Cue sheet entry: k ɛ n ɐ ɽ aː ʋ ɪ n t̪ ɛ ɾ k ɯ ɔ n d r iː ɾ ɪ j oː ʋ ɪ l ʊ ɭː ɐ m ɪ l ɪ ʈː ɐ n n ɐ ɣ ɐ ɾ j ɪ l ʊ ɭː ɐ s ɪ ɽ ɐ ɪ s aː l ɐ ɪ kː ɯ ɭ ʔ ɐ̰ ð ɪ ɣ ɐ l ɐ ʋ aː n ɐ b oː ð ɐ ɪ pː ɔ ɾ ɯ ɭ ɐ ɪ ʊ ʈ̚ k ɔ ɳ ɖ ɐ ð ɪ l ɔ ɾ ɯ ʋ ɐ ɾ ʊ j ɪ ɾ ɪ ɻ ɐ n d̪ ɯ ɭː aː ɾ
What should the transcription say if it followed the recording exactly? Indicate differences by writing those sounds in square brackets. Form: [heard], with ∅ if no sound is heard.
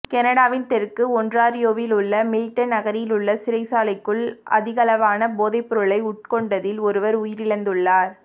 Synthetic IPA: k ɛ n ɐ ɽ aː ʋ ɪ n t̪ ɛ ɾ k ɯ ɔ n d r [aː] ɾ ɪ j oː ʋ ɪ l ʊ ɭː ɐ m ɪ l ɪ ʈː ɐ n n ɐ ɣ ɐ ɾ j ɪ l ʊ ɭː ɐ s ɪ [ɾ] ɐ ɪ s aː l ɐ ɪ kː ɯ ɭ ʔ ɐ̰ ð ɪ ɣ ɐ l ɐ ʋ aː n ɐ b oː ð ɐ ɪ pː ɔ ɾ ɯ ɭ ɐ ɪ ʊ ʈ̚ k ɔ ɳ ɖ ɐ ð ɪ l ɔ ɾ ɯ ʋ ɐ ɾ ʊ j ɪ ɾ ɪ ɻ ɐ n d̪ ɯ ɭː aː ɾ